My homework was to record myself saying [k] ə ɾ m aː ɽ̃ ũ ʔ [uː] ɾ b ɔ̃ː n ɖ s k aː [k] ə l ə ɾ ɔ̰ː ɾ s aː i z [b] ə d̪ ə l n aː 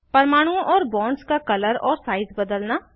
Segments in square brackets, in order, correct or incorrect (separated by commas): incorrect, incorrect, correct, correct